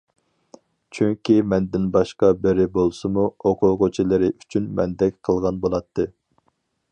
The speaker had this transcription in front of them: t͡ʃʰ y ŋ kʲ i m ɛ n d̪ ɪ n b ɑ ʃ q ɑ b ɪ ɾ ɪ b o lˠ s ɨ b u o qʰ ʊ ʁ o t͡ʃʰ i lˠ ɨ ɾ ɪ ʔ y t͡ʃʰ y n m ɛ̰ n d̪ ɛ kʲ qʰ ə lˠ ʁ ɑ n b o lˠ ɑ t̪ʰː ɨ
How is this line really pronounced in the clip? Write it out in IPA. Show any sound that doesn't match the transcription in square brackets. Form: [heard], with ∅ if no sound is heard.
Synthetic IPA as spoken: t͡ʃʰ y ŋ kʲ i m ɛ n d̪ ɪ n b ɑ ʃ q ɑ b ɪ ɾ ɪ b o lˠ s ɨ [m] u o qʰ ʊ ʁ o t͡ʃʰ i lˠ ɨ ɾ ɪ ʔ y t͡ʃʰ y n m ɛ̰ n d̪ ɛ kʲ qʰ ə lˠ ʁ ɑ n b o lˠ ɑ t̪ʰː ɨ